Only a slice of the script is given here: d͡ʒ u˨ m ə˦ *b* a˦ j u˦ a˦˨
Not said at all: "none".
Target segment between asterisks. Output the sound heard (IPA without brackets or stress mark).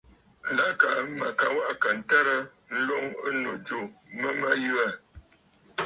m